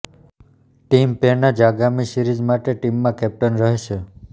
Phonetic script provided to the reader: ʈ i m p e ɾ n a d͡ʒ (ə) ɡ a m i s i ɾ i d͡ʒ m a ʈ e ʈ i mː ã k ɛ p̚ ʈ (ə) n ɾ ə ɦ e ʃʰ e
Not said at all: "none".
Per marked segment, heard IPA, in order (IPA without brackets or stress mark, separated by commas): a, ə